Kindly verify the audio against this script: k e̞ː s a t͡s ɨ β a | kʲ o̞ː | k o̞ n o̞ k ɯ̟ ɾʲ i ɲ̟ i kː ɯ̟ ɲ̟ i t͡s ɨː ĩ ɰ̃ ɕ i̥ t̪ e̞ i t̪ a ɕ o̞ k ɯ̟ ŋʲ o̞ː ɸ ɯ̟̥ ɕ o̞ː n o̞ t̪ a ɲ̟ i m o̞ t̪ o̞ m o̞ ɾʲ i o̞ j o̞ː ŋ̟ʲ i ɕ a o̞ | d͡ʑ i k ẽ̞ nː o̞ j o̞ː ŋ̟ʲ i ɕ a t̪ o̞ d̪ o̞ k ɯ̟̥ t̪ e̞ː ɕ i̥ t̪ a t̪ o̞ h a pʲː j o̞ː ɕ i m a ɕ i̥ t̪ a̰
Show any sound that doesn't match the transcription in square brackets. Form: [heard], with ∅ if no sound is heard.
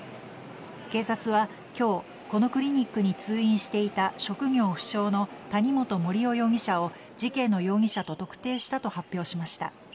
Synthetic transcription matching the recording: k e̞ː s a t͡s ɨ β a | kʲ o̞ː | k o̞ n o̞ k ɯ̟ ɾʲ i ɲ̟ i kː ɯ̟ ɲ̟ i t͡s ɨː ĩ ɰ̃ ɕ i̥ t̪ e̞ i t̪ a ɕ o̞ k ɯ̟ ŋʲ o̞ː ɸ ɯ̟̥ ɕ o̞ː n o̞ t̪ a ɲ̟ i m o̞ t̪ o̞ m o̞ ɾʲ i o̞ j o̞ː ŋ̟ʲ i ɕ a o̞ | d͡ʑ i k ẽ̞ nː o̞ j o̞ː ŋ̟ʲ i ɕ a t̪ o̞ [t̪] o̞ k ɯ̟̥ t̪ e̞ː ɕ i̥ t̪ a t̪ o̞ h a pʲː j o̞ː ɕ i m a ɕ i̥ t̪ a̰

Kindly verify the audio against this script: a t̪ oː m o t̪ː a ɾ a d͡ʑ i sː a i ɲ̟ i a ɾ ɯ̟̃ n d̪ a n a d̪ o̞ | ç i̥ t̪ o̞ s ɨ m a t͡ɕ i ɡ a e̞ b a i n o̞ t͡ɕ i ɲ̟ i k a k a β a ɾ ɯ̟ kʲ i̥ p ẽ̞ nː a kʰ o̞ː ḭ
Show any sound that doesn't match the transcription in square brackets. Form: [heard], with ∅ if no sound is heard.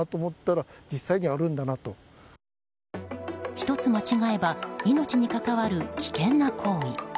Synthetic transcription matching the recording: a t̪ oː m o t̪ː a ɾ a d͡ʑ i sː a i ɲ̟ i a ɾ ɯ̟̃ n d̪ a n a [t̪] o̞ | ç i̥ t̪ o̞ [t͡s] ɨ m a t͡ɕ i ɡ a e̞ b a i n o̞ t͡ɕ i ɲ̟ i k a k a β a ɾ ɯ̟ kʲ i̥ [k] ẽ̞ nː a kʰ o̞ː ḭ

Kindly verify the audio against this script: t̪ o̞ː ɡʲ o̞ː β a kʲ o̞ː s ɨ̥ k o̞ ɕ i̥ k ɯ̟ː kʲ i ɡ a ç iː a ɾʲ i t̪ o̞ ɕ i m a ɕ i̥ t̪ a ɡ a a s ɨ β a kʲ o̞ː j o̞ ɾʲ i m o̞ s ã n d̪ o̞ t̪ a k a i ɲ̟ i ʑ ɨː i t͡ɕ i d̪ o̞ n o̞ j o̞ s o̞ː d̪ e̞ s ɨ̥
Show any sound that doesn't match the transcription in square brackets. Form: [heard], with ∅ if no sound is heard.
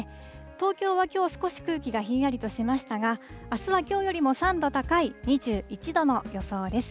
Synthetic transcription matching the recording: t̪ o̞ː [kʲ] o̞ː β a kʲ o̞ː s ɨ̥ k o̞ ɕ i̥ k ɯ̟ː kʲ i ɡ a ç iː a ɾʲ i t̪ o̞ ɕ i m a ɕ i̥ t̪ a ɡ a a s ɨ β a kʲ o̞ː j o̞ ɾʲ i m o̞ s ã n d̪ o̞ t̪ a k a i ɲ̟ i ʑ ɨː i t͡ɕ i d̪ o̞ n o̞ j o̞ s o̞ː d̪ e̞ s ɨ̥

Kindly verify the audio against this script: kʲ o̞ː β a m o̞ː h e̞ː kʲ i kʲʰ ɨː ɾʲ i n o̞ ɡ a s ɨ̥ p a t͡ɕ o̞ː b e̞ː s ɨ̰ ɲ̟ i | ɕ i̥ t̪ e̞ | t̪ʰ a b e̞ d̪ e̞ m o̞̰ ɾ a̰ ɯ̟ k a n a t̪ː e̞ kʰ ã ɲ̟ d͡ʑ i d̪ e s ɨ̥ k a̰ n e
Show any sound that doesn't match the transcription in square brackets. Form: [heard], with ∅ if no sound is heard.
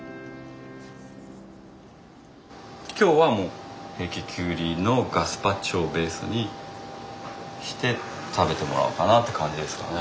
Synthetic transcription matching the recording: kʲ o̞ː β a m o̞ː h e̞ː kʲ i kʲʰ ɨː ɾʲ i n o̞ ɡ a s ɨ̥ p a t͡ɕ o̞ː b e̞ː s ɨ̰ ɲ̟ i | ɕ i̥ t̪ e̞ | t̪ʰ a b e̞ [t̪] e̞ m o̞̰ ɾ a̰ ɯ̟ k a n a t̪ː e̞ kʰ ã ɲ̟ d͡ʑ i d̪ e s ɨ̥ k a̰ n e

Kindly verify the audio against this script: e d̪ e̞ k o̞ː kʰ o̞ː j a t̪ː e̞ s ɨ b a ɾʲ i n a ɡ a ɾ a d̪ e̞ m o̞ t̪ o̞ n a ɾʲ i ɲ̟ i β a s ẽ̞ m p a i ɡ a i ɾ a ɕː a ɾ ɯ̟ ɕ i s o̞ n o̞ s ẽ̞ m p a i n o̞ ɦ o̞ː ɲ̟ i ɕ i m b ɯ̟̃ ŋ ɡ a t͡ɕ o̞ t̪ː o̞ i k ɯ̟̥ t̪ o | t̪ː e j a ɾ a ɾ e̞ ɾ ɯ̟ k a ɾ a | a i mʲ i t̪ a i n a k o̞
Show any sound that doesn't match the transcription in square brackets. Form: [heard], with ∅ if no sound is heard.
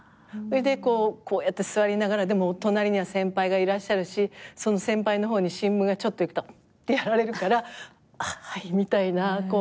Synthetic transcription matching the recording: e d̪ e̞ k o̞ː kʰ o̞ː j a t̪ː e̞ s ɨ [β] a ɾʲ i n a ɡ a ɾ a d̪ e̞ m o̞ t̪ o̞ n a ɾʲ i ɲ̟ i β a s ẽ̞ m p a i ɡ a i ɾ a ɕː a ɾ ɯ̟ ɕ i s o̞ n o̞ s ẽ̞ m p a i n o̞ ɦ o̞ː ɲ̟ i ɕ [ĩ] m b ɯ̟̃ ŋ ɡ a t͡ɕ o̞ t̪ː o̞ i k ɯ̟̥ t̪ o | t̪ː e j a ɾ a ɾ e̞ ɾ ɯ̟ k a ɾ a | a i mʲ i t̪ a i n a k o̞

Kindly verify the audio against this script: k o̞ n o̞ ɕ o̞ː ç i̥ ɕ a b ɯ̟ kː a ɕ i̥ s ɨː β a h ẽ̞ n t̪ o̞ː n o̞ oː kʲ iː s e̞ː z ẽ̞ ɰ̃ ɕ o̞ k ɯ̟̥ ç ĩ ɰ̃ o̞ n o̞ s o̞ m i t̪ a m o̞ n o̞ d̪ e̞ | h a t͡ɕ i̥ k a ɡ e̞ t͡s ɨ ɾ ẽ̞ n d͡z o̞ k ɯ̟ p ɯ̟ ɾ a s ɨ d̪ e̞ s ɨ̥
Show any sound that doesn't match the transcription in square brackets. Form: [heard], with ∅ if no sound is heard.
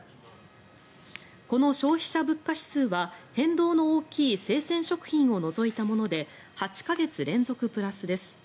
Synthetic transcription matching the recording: k o̞ n o̞ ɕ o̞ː ç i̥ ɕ a b ɯ̟ kː a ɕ i̥ s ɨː β a h ẽ̞ n [d̪] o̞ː n o̞ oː kʲ iː s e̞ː [s] ẽ̞ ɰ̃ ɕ o̞ k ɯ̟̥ ç ĩ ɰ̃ o̞ n o̞ [z] o̞ [∅] i t̪ a m o̞ n o̞ d̪ e̞ | h a t͡ɕ i̥ k a ɡ e̞ t͡s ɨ ɾ ẽ̞ n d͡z o̞ k ɯ̟ p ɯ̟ ɾ a s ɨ d̪ e̞ s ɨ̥

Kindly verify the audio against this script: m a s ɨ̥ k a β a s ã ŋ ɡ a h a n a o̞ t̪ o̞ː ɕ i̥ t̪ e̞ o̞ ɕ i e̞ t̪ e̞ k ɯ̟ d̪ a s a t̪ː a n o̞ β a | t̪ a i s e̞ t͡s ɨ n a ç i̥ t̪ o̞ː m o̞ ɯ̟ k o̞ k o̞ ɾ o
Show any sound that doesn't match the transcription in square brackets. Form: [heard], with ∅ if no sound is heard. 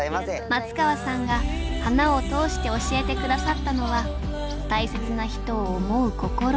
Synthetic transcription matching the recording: m a [t͡s] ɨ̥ k a β a s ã ŋ ɡ a h a n a o̞ t̪ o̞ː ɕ i̥ t̪ e̞ o̞ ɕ i e̞ t̪ e̞ k ɯ̟ d̪ a s a t̪ː a n o̞ β a | t̪ a i s e̞ t͡s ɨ n a ç i̥ t̪ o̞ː m o̞ ɯ̟ k o̞ k o̞ ɾ o

